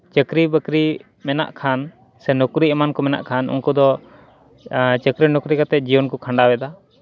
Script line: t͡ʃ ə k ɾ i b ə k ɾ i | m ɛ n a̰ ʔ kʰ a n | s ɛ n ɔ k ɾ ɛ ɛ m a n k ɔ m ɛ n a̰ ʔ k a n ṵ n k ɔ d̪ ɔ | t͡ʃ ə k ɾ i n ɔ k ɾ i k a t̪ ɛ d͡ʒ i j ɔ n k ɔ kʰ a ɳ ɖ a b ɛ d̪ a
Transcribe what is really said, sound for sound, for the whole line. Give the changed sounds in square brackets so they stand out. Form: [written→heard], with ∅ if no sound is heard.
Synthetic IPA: t͡ʃ ə k ɾ i b ə k ɾ i | m ɛ n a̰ ʔ kʰ a n | s ɛ n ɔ k ɾ [ɛ→i] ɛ m a n k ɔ m ɛ n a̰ ʔ [k→kʰ] a n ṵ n k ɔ d̪ ɔ | t͡ʃ ə k ɾ i n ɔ k ɾ i k a t̪ ɛ d͡ʒ i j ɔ n k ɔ kʰ a ɳ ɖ a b ɛ d̪ a